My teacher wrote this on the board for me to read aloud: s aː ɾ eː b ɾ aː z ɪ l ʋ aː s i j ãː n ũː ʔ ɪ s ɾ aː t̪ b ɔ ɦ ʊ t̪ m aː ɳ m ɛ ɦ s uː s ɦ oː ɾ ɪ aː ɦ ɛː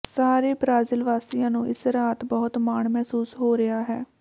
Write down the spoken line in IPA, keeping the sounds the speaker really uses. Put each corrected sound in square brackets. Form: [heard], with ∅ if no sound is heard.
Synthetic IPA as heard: s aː ɾ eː b ɾ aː z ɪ l ʋ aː s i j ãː n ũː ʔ ɪ s ɾ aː t̪ b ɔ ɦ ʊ t̪ m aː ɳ m ɛ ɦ s uː s ɦ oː ɾ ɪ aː ɦ ɛː

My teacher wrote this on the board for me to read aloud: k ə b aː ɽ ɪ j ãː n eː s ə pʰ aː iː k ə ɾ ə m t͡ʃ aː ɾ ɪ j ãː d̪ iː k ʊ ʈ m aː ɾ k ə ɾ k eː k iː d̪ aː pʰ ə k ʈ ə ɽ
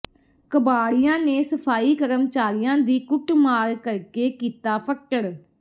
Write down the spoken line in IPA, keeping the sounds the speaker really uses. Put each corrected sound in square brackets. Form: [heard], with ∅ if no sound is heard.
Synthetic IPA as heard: k ə b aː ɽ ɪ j ãː n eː s ə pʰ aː iː k ə ɾ ə m t͡ʃ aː ɾ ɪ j ãː d̪ iː k ʊ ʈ m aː ɾ k ə ɾ k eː k iː [t̪] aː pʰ ə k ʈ ə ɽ

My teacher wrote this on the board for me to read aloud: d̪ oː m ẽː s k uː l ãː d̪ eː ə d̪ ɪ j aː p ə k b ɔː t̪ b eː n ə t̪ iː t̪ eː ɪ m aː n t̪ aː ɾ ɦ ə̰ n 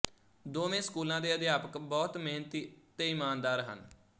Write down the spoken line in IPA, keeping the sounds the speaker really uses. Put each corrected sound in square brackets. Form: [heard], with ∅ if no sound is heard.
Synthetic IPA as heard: d̪ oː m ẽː s k uː l ãː d̪ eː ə d̪ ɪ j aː p ə k b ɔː t̪ [m] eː n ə t̪ iː t̪ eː ɪ m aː n [d̪] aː ɾ ɦ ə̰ n

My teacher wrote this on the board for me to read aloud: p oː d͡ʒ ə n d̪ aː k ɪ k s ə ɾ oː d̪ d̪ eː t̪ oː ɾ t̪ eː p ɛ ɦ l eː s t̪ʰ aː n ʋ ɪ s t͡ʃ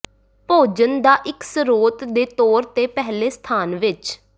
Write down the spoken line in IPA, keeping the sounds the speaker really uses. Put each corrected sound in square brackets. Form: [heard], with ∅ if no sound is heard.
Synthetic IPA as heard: p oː d͡ʒ ə n d̪ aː [ʔ] ɪ k s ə ɾ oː [t̪] d̪ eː t̪ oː ɾ t̪ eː p ɛ ɦ l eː s t̪ʰ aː n ʋ ɪ [∅] t͡ʃ

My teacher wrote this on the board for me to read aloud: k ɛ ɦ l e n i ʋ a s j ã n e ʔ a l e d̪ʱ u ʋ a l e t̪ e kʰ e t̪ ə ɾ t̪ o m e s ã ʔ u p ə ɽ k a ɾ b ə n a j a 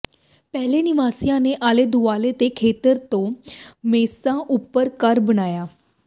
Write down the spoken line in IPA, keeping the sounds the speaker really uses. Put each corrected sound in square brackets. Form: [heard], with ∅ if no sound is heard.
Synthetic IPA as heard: [p] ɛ ɦ l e n i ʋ a s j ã n e ʔ a l e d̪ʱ u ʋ a l e t̪ e kʰ e t̪ ə ɾ t̪ o m e s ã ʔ u p ə [ɾ] k a ɾ b ə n a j a

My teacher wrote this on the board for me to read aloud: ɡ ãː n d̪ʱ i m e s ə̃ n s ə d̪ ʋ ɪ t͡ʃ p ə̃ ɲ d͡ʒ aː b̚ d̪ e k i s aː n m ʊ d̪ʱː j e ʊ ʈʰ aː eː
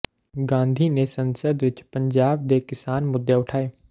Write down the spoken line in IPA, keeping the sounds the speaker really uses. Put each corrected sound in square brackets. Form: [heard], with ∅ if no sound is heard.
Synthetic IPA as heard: ɡ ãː n d̪ʱ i [n] e s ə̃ n s ə d̪ ʋ ɪ t͡ʃ p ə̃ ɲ d͡ʒ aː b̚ d̪ e k [ɪ] s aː n m ʊ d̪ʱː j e ʊ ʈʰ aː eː

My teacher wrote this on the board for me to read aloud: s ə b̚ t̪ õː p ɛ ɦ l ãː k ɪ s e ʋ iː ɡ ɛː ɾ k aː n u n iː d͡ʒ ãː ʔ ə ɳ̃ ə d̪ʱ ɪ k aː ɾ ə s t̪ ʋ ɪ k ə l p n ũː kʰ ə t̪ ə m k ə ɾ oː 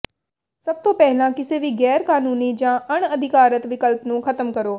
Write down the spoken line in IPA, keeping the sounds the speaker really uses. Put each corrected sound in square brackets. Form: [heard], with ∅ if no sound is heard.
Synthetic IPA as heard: s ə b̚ t̪ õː p ɛ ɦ l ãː k ɪ s e ʋ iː ɡ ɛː ɾ k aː n [uː] n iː d͡ʒ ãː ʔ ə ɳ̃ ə d̪ʱ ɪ k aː ɾ ə [∅] t̪ ʋ ɪ k ə l p n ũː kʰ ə t̪ ə m k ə ɾ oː

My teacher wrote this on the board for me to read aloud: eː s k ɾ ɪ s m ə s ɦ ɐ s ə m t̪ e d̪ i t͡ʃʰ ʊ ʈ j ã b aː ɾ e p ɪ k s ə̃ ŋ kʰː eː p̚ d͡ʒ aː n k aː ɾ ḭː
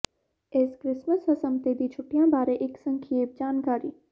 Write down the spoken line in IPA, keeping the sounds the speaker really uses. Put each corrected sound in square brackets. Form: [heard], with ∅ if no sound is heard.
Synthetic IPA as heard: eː s k ɾ ɪ s m ə s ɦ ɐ s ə m t̪ e d̪ i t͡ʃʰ ʊ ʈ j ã b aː ɾ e [ʔ] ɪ k s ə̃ ŋ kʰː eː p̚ d͡ʒ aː n k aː ɾ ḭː

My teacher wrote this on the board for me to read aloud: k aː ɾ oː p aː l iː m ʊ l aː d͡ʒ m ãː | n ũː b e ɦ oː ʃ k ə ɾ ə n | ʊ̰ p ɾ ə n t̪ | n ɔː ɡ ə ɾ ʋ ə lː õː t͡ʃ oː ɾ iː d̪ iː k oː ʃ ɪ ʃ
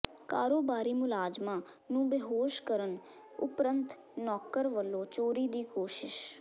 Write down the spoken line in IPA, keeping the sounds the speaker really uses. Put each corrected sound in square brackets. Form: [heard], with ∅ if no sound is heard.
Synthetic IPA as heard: k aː ɾ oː [b] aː [ɾ] iː m ʊ l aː d͡ʒ m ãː | n ũː b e ɦ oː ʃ k ə ɾ ə n | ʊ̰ p ɾ ə n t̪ | n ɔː [k] ə ɾ ʋ ə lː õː t͡ʃ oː ɾ iː d̪ iː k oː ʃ ɪ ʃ

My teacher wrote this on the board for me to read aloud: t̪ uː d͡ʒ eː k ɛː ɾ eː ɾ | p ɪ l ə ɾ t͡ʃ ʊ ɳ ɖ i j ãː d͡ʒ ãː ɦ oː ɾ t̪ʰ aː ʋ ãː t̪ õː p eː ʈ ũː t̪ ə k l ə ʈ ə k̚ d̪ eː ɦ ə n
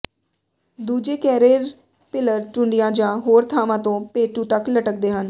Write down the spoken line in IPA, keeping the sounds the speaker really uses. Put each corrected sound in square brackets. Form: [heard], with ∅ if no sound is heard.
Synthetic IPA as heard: [d̪] uː d͡ʒ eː k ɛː ɾ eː ɾ | p ɪ l ə ɾ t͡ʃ ʊ ɳ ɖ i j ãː d͡ʒ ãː ɦ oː ɾ t̪ʰ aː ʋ ãː t̪ õː p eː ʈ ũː t̪ ə k l ə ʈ ə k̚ d̪ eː ɦ ə n

